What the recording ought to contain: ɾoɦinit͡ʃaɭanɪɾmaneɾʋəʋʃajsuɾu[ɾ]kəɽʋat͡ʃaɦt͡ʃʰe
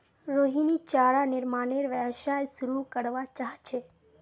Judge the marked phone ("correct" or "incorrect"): incorrect